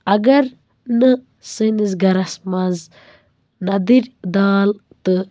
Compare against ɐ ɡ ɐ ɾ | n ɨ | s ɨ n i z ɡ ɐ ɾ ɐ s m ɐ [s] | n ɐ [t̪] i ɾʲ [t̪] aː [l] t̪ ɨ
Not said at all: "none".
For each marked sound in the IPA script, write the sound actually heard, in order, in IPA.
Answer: z, d̪, d̪, l

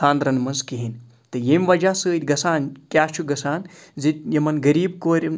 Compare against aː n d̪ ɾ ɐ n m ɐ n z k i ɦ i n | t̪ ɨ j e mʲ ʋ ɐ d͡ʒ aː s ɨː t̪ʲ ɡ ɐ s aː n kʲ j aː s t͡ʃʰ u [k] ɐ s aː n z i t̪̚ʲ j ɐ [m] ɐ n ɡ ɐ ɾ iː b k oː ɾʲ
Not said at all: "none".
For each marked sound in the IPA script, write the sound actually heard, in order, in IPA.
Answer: ɡ, m

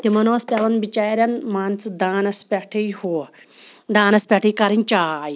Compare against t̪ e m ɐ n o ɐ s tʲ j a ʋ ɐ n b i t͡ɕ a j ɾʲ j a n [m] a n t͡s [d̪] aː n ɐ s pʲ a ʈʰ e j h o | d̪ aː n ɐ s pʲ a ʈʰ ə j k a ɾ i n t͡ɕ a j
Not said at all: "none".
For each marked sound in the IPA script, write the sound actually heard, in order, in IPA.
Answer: m, d̪

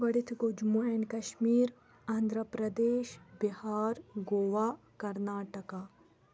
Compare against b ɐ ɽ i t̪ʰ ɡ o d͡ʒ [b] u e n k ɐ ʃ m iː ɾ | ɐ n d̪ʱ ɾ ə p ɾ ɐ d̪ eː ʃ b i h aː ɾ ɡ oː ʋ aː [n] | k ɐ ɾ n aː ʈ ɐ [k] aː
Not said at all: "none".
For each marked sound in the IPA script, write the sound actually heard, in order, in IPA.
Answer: m, none, k

